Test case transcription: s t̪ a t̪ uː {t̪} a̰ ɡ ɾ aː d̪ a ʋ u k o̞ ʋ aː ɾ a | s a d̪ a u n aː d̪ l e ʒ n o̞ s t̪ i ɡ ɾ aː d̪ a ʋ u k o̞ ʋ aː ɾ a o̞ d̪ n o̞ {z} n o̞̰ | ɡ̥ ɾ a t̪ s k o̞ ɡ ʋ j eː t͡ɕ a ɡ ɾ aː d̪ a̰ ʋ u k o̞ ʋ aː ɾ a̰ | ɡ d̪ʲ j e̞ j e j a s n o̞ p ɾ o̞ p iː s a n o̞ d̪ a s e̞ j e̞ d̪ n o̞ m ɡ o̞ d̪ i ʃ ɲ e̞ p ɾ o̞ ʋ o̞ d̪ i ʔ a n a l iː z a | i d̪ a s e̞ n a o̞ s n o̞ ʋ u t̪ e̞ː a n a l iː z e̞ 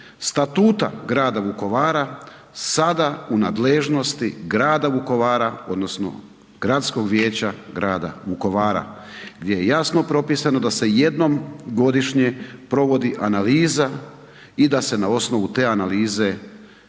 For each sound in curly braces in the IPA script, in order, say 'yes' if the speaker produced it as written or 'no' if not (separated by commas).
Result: yes, no